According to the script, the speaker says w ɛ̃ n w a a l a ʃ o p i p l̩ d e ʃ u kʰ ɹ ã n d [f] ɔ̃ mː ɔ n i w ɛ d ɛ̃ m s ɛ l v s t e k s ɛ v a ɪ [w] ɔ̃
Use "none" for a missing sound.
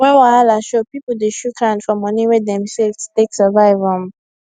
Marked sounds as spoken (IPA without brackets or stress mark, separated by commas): f, v